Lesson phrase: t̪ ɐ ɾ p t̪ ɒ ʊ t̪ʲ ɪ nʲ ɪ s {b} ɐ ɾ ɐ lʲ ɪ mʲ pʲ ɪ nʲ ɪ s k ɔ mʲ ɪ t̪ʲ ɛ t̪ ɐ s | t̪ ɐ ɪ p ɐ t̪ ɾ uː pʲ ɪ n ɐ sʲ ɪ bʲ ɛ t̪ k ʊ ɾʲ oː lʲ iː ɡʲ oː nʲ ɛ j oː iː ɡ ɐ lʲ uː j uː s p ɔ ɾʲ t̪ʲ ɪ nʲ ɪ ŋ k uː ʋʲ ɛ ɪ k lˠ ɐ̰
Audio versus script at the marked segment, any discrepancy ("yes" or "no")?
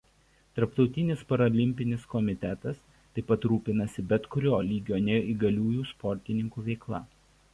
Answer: yes